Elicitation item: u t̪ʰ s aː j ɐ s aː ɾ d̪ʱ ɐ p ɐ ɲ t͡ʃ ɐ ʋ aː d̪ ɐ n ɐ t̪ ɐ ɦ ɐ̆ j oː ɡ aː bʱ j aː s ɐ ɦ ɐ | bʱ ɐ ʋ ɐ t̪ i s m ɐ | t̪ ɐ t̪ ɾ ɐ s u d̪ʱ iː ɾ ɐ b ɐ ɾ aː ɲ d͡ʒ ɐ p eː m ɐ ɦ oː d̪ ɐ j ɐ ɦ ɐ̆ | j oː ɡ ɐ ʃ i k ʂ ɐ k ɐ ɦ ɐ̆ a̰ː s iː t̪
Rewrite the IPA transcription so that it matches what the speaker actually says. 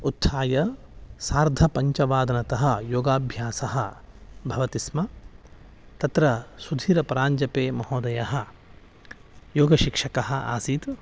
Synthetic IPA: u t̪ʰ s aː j ɐ s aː ɾ d̪ʱ ɐ p ɐ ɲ t͡ʃ ɐ ʋ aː d̪ ɐ n ɐ t̪ ɐ ɦ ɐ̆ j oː ɡ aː bʱ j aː s ɐ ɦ ɐ | bʱ ɐ ʋ ɐ t̪ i s m ɐ | t̪ ɐ t̪ ɾ ɐ s u d̪ʱ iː ɾ ɐ p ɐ ɾ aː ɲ d͡ʒ ɐ p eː m ɐ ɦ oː d̪ ɐ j ɐ ɦ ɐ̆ | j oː ɡ ɐ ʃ i k ʂ ɐ k ɐ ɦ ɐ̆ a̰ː s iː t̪